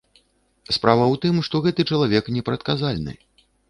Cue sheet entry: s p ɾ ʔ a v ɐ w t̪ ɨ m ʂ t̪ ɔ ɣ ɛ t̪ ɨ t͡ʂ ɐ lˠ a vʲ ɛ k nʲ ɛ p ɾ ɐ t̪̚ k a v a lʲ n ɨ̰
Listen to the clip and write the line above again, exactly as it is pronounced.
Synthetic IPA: s p ɾ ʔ a v ɐ w t̪ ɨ m ʂ t̪ ɔ ɣ ɛ t̪ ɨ t͡ʂ ɐ lˠ a vʲ ɛ k nʲ ɛ p ɾ ɐ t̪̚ k a z a lʲ n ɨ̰